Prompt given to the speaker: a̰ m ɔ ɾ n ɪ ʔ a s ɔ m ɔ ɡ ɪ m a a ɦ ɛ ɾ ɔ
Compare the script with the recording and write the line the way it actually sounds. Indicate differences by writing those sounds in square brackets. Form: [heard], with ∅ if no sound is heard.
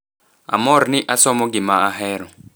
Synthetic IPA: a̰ m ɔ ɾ n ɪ ʔ a s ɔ m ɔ ɡ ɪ m a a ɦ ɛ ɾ ɔ